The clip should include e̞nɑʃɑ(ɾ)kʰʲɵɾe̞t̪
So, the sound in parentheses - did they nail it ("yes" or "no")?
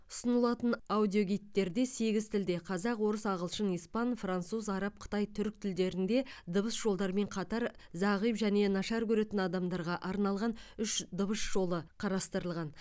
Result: yes